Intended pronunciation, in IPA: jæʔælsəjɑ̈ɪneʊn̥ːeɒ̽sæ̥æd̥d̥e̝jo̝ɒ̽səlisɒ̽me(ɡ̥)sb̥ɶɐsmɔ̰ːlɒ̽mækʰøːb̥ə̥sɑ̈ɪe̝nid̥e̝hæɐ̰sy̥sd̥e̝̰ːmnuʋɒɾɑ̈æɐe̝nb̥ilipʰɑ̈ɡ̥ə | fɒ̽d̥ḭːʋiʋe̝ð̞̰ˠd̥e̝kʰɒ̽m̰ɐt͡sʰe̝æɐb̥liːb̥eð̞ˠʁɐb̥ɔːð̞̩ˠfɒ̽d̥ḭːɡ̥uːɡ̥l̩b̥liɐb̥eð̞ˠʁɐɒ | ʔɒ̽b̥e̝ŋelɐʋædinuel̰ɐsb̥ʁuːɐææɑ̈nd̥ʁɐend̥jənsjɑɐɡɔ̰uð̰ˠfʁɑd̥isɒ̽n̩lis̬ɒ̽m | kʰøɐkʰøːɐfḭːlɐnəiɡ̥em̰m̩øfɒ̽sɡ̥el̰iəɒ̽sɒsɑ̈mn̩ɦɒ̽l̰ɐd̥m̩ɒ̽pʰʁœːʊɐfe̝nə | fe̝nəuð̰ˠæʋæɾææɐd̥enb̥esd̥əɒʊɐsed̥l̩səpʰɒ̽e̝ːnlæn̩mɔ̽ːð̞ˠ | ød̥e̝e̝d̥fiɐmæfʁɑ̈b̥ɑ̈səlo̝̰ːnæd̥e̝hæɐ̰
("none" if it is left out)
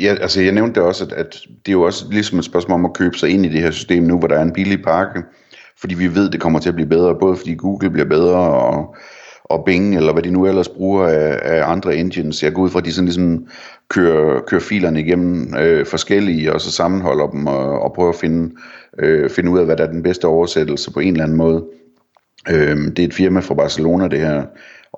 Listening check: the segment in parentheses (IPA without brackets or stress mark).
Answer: d̥